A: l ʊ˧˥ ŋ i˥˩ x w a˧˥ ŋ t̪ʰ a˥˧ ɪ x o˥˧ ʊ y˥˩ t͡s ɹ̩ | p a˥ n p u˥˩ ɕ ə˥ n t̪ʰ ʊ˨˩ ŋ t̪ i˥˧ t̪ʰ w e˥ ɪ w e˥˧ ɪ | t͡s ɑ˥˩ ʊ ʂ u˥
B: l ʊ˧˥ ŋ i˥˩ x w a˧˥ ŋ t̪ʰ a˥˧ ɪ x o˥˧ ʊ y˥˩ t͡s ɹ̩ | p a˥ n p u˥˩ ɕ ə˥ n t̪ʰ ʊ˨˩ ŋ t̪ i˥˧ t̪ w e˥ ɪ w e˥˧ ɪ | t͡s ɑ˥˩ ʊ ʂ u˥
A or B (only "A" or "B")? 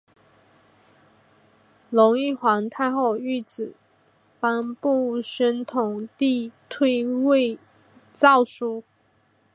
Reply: A